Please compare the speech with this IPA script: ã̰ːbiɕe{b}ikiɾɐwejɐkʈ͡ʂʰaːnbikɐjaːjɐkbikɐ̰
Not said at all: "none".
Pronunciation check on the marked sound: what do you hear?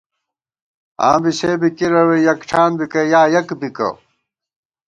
b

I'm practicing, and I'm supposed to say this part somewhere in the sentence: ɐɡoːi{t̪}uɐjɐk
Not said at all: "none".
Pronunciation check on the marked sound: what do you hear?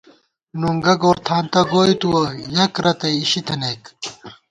t̪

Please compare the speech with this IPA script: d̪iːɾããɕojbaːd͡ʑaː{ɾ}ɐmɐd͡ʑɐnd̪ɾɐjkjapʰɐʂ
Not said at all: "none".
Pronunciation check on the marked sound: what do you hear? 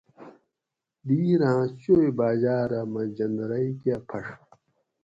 ɾ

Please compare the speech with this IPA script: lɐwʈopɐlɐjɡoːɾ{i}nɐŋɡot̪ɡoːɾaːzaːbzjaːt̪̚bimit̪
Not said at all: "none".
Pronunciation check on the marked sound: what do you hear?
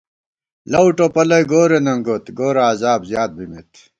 e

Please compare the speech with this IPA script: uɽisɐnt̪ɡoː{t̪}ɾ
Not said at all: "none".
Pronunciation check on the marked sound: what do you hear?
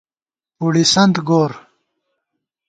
none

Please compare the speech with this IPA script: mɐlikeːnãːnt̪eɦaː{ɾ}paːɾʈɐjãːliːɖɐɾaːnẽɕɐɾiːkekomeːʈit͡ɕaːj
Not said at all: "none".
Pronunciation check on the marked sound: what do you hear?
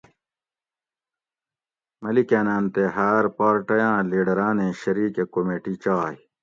ɾ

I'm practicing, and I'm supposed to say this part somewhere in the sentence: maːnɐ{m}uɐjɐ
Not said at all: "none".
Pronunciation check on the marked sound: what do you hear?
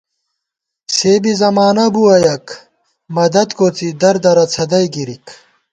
b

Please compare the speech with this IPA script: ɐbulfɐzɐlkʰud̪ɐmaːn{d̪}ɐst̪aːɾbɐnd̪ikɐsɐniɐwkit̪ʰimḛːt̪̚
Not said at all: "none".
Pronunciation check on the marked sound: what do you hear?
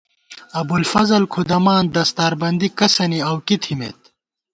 d̪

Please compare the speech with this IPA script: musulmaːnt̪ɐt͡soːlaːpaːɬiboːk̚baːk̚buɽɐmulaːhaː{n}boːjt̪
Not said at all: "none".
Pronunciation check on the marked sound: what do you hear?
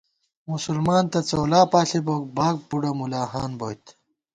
n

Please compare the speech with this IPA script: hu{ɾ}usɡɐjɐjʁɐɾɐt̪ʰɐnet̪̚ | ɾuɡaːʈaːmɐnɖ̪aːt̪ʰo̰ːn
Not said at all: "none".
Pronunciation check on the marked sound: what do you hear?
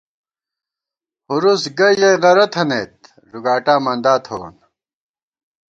ɾ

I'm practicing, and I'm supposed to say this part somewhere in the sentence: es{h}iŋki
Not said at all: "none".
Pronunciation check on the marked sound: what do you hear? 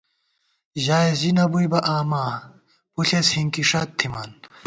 h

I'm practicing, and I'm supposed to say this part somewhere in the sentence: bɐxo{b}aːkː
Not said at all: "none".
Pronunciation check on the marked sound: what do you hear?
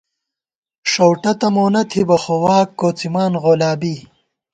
w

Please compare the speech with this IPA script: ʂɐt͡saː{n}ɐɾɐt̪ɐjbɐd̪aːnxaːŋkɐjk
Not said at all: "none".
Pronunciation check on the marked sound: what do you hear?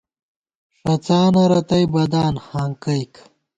n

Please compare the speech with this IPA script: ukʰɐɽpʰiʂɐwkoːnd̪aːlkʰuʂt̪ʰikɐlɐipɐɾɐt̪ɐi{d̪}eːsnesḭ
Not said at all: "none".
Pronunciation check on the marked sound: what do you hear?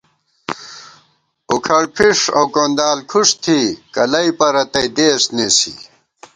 d̪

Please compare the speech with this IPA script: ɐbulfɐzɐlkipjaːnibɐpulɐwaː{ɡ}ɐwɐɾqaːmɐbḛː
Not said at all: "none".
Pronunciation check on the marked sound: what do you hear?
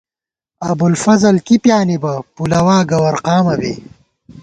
ɡ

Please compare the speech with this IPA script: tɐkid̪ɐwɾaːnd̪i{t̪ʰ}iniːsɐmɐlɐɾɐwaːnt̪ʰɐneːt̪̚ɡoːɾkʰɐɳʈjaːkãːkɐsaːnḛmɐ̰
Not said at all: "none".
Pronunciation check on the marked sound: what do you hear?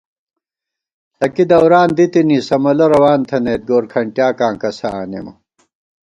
t̪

